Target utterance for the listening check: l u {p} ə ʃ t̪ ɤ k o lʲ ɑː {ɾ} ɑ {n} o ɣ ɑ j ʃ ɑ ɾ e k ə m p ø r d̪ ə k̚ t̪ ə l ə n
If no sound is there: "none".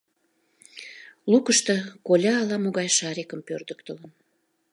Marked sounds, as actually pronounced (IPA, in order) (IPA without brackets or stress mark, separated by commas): k, l, m